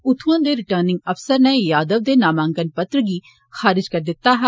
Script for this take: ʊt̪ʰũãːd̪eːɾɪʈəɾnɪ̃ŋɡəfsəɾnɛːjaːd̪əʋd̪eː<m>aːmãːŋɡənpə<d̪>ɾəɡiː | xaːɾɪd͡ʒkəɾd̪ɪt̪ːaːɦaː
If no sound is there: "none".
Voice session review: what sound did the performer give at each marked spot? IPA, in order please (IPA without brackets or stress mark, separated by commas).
n, t̪